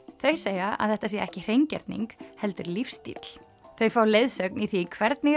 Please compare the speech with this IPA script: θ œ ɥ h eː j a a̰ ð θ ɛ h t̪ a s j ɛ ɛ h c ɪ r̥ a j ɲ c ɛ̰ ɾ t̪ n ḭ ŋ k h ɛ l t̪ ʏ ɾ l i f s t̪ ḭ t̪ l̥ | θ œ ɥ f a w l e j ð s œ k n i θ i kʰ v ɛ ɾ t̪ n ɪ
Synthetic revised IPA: θ œ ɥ s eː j a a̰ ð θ ɛ h t̪ a s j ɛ ɛ h c ɪ r̥ e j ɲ c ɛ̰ ɾ t̪ n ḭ ŋ k h ɛ l t̪ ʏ ɾ l i f s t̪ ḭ t̪ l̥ | θ œ ɥ f a w l e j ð s œ k n i θ i kʰ v ɛ ɾ t̪ n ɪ